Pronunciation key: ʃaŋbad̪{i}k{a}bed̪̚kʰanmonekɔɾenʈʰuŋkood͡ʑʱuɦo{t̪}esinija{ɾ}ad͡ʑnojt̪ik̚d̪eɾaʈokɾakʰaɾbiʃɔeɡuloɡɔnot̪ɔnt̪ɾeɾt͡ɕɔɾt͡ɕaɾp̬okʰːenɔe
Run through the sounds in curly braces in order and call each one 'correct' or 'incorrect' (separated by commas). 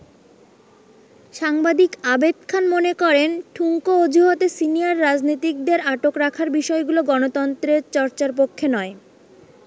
correct, correct, correct, incorrect